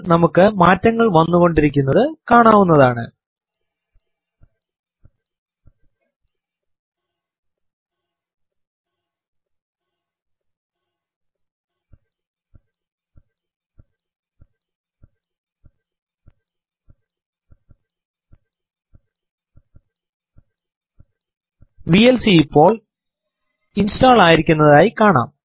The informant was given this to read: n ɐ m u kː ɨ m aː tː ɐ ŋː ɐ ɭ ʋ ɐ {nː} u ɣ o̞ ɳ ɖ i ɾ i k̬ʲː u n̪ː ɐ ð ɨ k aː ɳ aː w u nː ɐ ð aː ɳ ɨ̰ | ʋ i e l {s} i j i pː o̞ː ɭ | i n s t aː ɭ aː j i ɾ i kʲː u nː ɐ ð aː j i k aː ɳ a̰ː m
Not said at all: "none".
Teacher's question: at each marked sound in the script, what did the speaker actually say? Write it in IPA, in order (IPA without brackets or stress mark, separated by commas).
nː, s